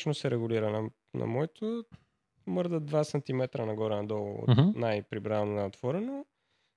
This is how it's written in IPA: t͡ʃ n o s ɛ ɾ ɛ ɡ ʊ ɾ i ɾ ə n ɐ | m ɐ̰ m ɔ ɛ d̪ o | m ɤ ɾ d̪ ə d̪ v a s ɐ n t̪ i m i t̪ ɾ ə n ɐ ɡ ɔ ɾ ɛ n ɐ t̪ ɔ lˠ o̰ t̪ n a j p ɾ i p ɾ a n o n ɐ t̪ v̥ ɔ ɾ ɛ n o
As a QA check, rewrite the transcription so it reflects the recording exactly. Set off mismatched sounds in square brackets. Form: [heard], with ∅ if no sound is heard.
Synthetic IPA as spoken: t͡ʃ n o s ɛ ɾ ɛ ɡ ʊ [l] i ɾ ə n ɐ | [n] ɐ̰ m ɔ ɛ [t̪] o | m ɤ ɾ d̪ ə d̪ v a s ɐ n t̪ i m [ɛ] t̪ ɾ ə n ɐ ɡ ɔ ɾ ɛ n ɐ [d̪] ɔ lˠ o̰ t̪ n a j p ɾ i [b] ɾ a n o n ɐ t̪ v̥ ɔ ɾ ɛ n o